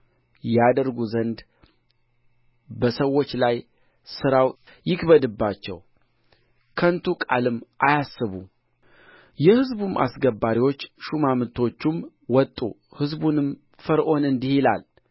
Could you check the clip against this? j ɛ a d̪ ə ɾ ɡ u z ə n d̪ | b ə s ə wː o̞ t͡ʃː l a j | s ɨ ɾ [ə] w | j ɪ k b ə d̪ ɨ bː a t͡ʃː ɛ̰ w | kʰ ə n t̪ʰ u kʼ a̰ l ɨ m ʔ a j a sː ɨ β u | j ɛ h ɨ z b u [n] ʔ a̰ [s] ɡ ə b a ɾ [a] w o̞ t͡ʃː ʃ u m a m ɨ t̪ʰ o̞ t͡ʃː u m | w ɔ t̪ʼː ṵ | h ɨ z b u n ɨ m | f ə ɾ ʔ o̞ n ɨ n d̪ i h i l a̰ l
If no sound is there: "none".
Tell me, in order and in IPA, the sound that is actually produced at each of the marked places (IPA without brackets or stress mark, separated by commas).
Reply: a, m, s, i